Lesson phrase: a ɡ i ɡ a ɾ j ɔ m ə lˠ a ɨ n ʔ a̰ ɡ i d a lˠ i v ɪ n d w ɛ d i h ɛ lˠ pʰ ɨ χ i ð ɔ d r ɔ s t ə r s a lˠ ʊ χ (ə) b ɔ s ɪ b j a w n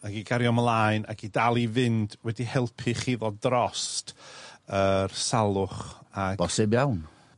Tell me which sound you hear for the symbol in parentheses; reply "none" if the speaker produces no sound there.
a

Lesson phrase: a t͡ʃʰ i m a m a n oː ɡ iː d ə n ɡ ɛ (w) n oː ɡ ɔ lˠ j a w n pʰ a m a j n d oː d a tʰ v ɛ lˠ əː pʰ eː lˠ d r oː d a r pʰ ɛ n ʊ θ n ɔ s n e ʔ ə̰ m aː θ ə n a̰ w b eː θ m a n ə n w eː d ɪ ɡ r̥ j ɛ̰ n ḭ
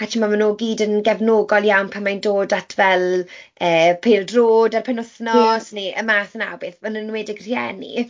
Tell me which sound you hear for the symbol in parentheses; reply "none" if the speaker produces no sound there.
v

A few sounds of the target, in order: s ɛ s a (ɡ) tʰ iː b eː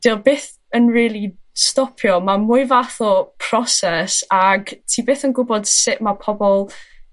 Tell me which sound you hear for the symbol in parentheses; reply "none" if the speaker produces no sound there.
ɡ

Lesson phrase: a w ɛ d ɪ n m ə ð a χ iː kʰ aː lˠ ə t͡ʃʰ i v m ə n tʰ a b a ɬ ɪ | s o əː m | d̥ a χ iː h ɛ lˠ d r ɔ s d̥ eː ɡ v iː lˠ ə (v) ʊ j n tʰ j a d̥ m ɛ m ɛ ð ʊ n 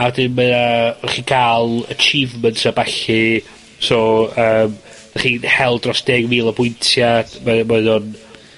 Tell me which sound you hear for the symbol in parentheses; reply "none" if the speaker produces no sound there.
b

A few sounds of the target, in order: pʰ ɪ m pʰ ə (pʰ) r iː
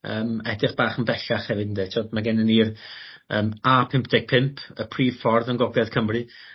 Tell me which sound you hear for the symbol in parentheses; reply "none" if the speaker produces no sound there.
pʰ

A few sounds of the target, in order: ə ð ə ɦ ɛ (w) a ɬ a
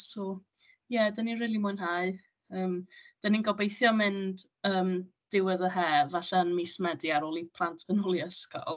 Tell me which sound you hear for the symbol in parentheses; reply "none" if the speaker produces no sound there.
v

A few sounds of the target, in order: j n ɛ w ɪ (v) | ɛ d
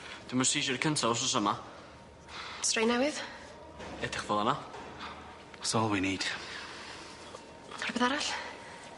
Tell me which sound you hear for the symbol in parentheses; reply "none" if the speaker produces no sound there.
ð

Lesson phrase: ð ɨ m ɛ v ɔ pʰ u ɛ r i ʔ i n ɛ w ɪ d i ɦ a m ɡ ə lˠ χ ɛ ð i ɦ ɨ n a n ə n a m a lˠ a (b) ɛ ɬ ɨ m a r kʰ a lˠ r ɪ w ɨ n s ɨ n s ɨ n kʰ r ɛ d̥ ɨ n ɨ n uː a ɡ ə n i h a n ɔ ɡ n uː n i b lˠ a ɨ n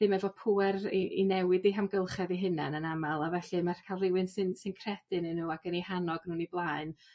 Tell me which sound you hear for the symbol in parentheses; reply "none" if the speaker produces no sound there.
v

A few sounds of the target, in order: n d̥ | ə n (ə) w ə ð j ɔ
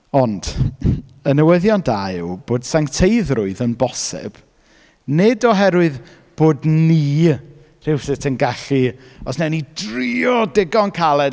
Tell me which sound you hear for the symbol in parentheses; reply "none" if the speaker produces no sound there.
ə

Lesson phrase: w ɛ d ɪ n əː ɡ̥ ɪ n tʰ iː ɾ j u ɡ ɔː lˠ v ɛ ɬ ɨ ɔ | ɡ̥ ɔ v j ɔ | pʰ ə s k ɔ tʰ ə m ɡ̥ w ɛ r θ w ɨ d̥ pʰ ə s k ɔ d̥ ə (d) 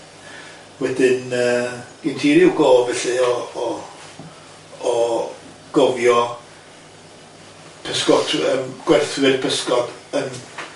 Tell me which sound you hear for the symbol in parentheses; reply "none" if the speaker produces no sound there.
n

